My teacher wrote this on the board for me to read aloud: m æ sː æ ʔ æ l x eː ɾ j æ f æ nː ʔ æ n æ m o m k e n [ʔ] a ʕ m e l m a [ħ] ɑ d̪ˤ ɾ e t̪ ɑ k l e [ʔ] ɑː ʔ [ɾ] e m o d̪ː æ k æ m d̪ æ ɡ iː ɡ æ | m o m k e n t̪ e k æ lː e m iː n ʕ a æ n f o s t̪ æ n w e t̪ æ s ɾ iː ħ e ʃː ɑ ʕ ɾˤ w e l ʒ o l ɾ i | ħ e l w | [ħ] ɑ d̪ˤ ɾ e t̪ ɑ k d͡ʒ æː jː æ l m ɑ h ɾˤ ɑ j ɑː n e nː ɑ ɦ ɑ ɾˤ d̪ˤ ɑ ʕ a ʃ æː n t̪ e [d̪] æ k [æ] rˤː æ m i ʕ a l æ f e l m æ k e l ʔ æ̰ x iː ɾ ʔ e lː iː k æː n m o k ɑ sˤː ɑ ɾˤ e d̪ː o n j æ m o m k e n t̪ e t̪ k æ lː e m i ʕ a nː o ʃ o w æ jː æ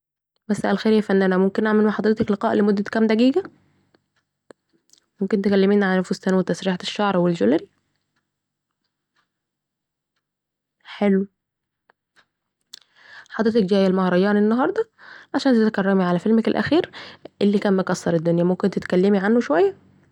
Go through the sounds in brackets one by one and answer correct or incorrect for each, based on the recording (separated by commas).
correct, correct, incorrect, incorrect, correct, incorrect, correct